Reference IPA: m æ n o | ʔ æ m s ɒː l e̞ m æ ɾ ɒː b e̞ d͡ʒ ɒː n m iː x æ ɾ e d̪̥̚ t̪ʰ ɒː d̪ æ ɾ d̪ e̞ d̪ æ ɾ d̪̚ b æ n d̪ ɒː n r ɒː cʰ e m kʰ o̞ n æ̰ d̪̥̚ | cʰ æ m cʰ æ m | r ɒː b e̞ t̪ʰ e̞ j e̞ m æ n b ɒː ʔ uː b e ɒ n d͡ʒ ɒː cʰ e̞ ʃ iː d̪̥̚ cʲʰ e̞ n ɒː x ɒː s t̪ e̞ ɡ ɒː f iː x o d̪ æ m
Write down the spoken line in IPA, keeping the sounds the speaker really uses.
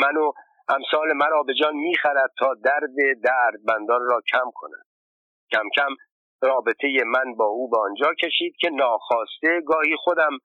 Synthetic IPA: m æ n o | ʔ æ m s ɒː l e̞ m æ ɾ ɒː b e̞ d͡ʒ ɒː n m iː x æ ɾ æ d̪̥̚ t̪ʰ ɒː d̪ æ ɾ d̪ e̞ d̪ æ ɾ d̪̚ b æ n d̪ ɒː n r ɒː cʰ æ m kʰ o̞ n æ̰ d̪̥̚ | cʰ æ m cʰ æ m | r ɒː b e̞ t̪ʰ e̞ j e̞ m æ n b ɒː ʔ uː b e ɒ n d͡ʒ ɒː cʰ e̞ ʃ iː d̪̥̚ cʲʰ e̞ n ɒː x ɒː s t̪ e̞ ɡ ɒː h iː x o d̪ æ m